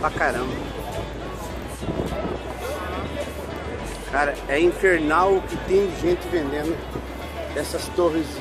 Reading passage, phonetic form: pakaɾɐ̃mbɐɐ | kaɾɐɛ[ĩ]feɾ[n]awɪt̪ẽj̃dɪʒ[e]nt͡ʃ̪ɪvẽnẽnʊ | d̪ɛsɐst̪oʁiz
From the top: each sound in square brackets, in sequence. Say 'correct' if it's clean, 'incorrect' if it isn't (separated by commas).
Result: correct, correct, incorrect